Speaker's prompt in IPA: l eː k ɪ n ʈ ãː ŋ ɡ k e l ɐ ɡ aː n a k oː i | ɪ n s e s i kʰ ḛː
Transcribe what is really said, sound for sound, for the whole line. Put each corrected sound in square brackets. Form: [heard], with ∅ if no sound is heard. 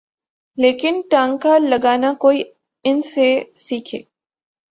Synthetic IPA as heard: l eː k ɪ n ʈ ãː ŋ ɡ k [a] l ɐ ɡ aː n a k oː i | ɪ n s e s [iː] kʰ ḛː